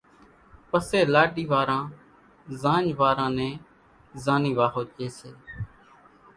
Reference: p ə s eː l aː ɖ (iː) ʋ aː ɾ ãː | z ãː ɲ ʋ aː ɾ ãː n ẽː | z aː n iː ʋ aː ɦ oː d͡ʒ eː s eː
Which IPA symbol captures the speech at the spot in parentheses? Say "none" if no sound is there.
iː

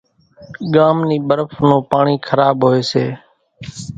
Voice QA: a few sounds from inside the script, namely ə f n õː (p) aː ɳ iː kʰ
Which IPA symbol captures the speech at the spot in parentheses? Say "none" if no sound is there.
p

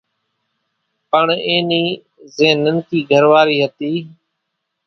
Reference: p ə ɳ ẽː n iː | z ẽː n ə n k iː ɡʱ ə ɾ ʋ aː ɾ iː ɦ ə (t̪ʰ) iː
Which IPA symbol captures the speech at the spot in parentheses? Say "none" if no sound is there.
t̪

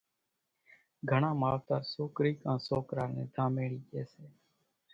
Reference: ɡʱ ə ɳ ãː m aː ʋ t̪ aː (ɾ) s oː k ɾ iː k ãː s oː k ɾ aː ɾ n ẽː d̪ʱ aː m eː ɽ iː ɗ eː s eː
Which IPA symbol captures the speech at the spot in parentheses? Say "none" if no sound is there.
ɾ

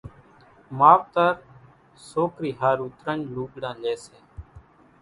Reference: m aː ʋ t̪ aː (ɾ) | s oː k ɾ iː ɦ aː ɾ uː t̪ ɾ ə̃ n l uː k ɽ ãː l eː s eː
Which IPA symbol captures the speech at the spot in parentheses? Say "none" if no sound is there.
ɾ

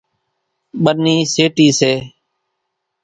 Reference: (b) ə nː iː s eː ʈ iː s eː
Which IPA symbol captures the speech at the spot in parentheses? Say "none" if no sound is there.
ɓ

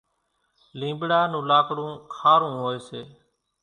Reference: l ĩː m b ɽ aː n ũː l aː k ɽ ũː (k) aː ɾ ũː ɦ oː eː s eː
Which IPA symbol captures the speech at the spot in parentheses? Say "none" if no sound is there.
kʰ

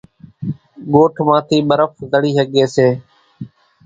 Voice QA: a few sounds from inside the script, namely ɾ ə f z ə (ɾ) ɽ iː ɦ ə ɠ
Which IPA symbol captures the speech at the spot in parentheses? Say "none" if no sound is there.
none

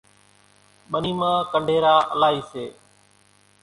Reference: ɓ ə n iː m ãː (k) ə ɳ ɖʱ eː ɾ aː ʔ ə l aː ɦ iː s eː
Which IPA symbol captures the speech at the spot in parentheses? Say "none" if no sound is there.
k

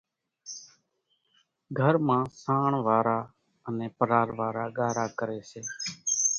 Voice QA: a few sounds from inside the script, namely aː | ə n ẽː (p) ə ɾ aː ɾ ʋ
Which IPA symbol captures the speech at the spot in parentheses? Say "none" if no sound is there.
p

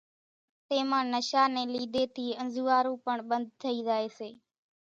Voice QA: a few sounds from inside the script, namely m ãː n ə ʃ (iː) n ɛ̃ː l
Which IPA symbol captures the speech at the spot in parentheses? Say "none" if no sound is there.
aː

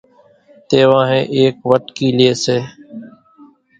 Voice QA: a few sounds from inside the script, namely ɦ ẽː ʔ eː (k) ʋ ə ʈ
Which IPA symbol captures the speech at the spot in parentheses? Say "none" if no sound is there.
k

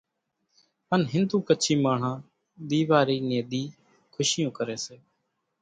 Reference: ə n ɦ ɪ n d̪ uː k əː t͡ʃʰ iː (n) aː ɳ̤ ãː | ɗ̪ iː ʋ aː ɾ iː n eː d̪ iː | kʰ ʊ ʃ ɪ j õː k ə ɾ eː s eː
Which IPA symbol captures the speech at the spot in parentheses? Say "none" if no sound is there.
m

